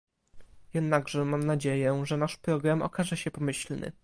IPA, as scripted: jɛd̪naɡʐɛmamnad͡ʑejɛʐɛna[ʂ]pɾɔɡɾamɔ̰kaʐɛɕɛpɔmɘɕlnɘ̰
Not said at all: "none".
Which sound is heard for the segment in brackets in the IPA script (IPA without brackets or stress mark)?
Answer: ʂ